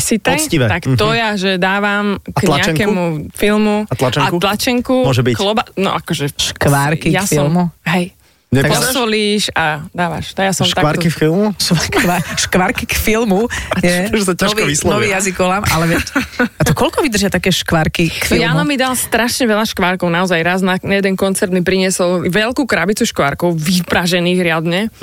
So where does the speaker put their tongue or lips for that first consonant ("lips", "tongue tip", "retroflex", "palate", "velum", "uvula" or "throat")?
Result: tongue tip